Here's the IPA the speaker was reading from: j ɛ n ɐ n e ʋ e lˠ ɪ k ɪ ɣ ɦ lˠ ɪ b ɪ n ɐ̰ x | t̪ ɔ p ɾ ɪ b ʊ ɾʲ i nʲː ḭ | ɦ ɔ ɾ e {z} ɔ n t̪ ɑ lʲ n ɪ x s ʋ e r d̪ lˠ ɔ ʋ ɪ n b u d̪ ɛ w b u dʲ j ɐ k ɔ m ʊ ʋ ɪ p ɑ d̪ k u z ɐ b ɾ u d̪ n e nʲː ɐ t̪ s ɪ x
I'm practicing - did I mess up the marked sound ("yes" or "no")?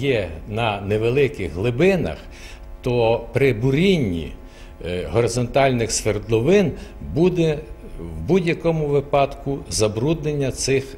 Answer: no